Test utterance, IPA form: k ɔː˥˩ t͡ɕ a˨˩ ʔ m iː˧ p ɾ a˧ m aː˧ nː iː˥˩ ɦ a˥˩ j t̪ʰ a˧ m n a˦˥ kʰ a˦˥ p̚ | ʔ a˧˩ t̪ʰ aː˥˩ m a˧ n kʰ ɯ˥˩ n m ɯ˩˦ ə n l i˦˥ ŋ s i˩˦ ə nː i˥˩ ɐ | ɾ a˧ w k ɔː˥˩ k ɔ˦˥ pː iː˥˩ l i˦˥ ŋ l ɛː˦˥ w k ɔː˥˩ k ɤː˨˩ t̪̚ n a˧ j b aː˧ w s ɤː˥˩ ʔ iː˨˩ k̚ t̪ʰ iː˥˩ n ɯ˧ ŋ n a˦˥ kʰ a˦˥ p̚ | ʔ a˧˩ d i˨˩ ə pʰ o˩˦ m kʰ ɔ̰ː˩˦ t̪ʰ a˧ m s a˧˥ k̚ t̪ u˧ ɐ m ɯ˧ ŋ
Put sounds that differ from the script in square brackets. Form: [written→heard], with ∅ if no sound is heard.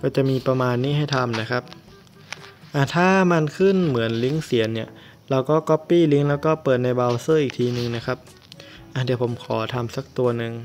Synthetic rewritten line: k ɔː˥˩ t͡ɕ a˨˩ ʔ m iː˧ p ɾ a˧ m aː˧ nː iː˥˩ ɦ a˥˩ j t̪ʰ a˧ m n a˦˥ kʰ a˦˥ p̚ | ʔ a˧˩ t̪ʰ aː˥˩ m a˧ n kʰ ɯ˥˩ n m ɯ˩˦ ə n l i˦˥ ŋ s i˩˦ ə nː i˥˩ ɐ | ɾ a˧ w k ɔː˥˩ k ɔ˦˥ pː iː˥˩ l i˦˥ ŋ l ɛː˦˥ w k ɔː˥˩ [k→p] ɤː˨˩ t̪̚ n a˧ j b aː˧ w s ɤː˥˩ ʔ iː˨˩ k̚ t̪ʰ [iː˥˩→iː˧] n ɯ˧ ŋ n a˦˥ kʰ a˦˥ p̚ | ʔ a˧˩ d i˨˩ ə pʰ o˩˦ m kʰ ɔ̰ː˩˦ t̪ʰ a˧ m s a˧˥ k̚ t̪ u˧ ɐ [m→n] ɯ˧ ŋ